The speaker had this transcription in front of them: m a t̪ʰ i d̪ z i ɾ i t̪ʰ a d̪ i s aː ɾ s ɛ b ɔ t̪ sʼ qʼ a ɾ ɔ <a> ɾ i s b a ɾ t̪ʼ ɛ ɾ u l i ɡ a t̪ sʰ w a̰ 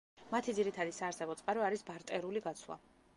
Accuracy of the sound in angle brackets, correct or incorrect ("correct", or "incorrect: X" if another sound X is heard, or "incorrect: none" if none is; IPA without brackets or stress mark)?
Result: correct